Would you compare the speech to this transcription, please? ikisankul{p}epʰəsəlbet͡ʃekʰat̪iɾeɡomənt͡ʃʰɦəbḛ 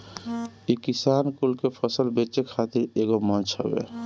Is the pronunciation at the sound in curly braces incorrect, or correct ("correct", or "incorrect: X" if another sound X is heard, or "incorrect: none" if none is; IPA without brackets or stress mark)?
incorrect: k